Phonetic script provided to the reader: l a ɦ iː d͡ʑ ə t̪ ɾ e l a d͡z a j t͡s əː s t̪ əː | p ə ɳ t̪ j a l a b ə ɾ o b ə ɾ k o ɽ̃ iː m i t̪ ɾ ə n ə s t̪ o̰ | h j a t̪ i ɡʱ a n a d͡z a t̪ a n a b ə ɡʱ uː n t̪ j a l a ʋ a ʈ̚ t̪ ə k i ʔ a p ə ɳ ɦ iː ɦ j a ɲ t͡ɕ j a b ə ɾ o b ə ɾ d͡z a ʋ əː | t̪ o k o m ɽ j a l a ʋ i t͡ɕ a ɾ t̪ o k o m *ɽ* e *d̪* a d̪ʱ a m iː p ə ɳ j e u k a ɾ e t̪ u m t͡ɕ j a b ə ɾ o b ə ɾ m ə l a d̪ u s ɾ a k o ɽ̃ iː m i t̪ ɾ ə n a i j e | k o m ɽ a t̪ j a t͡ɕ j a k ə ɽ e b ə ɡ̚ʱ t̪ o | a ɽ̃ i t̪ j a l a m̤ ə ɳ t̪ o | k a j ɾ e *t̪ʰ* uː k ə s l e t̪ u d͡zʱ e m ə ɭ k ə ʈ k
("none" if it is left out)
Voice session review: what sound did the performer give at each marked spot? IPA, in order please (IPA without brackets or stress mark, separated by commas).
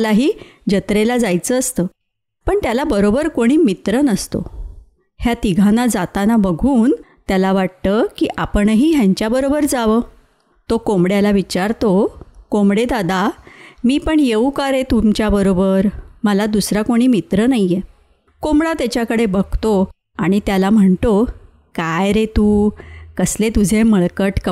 ɽ, d̪, t̪